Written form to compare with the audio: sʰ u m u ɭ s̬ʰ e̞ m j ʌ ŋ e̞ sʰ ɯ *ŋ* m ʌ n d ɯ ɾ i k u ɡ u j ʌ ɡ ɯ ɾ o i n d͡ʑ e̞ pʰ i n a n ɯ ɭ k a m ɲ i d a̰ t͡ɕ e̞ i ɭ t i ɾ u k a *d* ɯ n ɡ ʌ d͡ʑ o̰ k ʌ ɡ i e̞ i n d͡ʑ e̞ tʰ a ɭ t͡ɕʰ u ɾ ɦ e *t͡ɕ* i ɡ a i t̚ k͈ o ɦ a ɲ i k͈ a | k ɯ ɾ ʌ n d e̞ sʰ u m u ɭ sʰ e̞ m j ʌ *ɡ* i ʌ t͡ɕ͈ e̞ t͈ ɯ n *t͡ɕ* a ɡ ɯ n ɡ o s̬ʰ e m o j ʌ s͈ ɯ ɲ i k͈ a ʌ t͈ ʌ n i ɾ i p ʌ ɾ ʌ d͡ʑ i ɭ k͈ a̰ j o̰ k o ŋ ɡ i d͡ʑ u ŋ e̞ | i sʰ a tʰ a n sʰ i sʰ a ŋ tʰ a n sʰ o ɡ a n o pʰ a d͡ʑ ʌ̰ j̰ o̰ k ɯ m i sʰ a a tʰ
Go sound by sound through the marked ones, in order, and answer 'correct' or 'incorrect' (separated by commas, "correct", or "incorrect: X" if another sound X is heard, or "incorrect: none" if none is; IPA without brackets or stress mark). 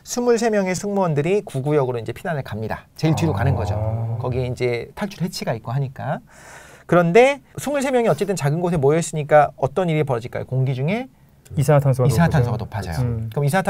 correct, incorrect: n, incorrect: t͡ɕʰ, incorrect: ŋ, correct